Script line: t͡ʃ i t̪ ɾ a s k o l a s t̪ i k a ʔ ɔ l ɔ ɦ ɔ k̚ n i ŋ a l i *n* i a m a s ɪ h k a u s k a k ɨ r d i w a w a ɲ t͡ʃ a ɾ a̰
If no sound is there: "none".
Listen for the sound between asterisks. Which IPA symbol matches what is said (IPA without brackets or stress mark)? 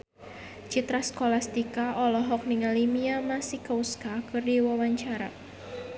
m